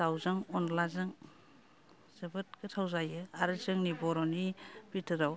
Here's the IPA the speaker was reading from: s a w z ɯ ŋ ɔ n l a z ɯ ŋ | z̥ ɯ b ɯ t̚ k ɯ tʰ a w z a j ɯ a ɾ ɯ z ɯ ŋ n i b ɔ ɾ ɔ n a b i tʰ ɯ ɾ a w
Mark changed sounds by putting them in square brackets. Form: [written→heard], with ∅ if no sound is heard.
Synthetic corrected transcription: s a w z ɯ ŋ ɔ n l a z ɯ ŋ | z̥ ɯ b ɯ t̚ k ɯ tʰ a w z a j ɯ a ɾ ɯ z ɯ ŋ n i b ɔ ɾ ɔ n [a→i] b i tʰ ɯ ɾ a w